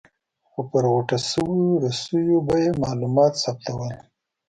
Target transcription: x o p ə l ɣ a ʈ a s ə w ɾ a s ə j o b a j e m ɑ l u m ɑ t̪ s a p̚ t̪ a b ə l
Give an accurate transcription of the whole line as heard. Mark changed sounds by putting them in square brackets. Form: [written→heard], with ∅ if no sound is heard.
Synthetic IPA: x o p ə [l→ɾ] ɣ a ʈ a s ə w ɾ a s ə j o b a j e m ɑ l u m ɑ t̪ s a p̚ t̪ a [b→w] ə l